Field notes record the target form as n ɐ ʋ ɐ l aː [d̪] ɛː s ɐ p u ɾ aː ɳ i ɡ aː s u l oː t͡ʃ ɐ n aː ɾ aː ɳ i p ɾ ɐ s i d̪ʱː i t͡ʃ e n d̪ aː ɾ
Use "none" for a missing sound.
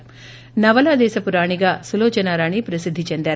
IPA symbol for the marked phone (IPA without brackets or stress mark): d̪